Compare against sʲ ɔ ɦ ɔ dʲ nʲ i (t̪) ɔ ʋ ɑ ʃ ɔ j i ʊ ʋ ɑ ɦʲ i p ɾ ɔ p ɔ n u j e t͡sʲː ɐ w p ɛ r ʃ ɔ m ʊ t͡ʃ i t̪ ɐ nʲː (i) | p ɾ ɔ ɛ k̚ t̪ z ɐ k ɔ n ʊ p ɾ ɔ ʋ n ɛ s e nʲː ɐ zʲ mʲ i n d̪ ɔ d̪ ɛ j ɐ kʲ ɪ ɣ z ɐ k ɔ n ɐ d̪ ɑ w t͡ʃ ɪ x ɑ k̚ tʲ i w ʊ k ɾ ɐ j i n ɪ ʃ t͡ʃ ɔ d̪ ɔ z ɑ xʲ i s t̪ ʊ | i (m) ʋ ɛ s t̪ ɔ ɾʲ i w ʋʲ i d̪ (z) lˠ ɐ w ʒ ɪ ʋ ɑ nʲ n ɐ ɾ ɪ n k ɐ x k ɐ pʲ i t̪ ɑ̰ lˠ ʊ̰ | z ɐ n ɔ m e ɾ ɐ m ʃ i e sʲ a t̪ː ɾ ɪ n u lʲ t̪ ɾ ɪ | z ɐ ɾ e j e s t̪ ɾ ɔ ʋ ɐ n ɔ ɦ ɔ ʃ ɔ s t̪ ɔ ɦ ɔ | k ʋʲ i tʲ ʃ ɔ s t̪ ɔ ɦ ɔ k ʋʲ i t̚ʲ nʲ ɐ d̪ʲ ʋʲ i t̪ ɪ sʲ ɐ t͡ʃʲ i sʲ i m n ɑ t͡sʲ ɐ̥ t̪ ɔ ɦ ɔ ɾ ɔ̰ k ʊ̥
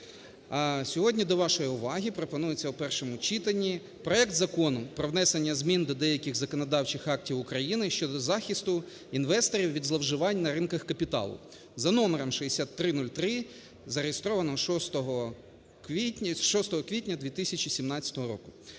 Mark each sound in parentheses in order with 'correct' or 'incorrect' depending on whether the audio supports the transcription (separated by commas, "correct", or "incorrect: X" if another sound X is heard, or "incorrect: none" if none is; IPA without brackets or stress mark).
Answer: incorrect: d̪, correct, incorrect: n, correct